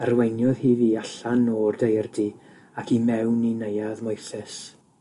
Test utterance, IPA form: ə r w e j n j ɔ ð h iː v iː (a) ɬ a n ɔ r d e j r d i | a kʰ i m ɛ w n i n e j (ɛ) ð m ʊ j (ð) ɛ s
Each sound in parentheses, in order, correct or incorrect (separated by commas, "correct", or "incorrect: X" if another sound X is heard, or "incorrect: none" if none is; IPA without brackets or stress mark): correct, incorrect: a, incorrect: θ